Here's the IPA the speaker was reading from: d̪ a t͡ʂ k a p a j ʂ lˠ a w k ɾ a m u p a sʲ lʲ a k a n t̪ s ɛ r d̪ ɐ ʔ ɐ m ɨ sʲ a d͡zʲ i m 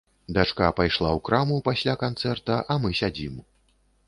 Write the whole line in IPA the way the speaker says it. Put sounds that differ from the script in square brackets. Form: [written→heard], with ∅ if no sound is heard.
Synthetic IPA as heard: d̪ a t͡ʂ k a p a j ʂ lˠ a w k ɾ a m u p a sʲ lʲ a k a n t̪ s ɛ r [d̪→t̪] ɐ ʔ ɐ m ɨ sʲ a d͡zʲ i m